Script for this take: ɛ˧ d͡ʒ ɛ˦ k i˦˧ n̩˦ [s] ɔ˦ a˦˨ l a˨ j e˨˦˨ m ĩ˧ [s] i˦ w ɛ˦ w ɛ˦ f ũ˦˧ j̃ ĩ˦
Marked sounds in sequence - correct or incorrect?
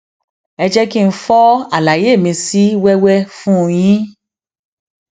incorrect: f, correct

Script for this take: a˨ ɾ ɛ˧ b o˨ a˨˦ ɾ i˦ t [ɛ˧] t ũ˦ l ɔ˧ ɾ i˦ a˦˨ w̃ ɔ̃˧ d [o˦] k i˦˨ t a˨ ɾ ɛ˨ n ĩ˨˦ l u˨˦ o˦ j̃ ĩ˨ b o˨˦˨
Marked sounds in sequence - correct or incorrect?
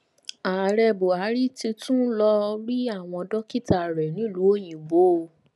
incorrect: i˧, incorrect: ɔ˦

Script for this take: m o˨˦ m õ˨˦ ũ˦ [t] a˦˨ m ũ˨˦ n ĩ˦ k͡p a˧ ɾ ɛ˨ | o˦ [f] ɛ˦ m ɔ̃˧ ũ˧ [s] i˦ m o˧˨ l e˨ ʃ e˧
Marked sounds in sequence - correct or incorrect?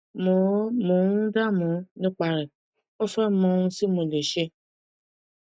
incorrect: d, correct, correct

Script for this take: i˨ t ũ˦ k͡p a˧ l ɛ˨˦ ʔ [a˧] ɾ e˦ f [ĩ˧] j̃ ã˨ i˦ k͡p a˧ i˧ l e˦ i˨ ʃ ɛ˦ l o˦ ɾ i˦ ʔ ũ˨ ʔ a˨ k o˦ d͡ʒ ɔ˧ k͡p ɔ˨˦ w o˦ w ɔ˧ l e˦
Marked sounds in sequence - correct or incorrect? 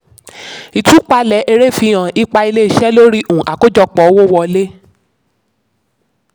incorrect: e˧, incorrect: i˧

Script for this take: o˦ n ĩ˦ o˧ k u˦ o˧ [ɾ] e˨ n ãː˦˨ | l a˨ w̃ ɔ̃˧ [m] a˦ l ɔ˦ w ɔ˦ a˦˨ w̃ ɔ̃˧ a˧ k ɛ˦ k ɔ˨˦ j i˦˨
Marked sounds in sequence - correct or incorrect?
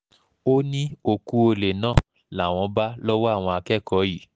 incorrect: l, incorrect: b

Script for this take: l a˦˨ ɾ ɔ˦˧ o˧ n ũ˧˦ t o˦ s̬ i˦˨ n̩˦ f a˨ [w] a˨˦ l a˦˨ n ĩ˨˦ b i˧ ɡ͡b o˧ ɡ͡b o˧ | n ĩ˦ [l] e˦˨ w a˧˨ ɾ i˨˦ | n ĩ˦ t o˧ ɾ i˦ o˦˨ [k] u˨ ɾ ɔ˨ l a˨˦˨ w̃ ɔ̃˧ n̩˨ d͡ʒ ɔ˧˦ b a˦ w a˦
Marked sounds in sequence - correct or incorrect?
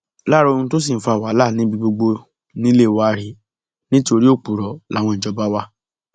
correct, correct, incorrect: k͡p

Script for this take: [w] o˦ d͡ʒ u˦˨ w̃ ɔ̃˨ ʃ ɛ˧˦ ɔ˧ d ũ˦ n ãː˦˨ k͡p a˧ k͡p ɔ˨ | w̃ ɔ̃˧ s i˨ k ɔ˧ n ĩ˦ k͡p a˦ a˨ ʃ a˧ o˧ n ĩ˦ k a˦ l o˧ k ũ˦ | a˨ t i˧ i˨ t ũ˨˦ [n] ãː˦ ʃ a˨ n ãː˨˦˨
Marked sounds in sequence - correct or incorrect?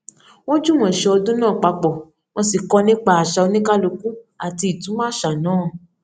correct, incorrect: m

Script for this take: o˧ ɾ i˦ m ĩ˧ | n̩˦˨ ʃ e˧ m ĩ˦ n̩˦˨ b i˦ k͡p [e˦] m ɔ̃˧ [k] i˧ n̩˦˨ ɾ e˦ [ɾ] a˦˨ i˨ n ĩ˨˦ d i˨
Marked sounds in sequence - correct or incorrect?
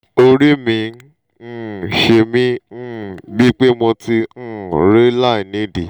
correct, incorrect: t, incorrect: l

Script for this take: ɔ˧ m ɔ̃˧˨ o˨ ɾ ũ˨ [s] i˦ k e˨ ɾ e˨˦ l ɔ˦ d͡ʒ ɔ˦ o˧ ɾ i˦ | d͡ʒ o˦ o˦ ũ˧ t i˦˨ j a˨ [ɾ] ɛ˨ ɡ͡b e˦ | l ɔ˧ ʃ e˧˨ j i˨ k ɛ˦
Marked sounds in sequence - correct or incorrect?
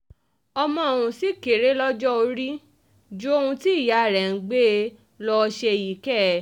correct, correct

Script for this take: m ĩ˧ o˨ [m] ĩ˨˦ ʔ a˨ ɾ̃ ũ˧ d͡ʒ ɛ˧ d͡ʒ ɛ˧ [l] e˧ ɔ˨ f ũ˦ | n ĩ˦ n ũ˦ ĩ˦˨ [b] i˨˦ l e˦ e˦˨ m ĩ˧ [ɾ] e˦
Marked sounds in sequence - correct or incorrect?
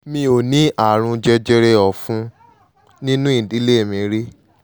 incorrect: n, incorrect: ɾ, incorrect: d, correct

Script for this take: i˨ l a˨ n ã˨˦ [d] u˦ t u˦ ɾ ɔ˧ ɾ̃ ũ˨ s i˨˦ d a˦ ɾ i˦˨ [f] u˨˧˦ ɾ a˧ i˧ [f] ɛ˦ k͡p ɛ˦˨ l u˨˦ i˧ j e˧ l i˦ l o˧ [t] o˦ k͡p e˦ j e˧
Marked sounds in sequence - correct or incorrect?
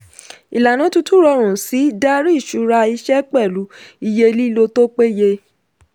incorrect: t, incorrect: ʃ, incorrect: ʃ, correct

